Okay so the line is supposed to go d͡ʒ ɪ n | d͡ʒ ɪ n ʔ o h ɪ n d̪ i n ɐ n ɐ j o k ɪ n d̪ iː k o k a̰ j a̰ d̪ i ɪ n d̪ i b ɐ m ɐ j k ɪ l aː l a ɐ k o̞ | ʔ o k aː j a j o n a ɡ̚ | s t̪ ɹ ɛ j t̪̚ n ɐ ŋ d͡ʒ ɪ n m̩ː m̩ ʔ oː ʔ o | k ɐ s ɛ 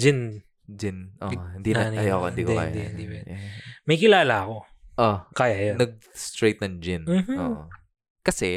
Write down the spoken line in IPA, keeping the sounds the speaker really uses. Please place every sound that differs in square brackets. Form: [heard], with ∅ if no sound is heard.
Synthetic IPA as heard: d͡ʒ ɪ n | d͡ʒ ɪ n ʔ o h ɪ n d̪ i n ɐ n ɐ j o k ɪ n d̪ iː k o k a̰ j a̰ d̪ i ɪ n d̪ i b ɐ m ɐ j k ɪ l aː l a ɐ k o̞ | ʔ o k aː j a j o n [ɐ] ɡ̚ | s t̪ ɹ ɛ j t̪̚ n ɐ ŋ d͡ʒ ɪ n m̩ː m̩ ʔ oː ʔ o | k ɐ s ɛ